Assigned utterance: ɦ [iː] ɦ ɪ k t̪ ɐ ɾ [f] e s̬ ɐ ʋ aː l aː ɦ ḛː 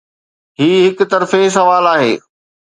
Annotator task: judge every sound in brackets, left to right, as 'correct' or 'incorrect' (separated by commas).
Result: correct, correct